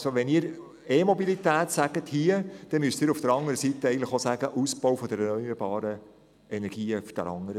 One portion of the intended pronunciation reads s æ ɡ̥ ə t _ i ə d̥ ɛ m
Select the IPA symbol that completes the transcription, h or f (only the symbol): h